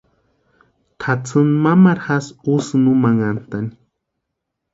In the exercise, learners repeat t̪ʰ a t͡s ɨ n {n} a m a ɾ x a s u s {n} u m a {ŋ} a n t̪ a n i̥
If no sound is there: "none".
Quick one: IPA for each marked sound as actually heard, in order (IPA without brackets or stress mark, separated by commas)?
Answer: m, n, ŋ